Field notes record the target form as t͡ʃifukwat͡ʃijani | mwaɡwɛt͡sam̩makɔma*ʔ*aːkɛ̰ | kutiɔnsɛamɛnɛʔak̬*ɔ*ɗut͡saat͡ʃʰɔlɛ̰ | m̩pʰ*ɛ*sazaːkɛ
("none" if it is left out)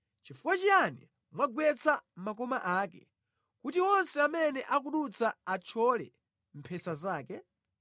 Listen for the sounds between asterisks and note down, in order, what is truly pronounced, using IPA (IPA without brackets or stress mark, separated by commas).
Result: ʔ, u, ɛ